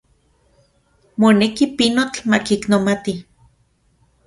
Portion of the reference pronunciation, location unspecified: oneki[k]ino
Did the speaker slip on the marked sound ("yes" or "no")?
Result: yes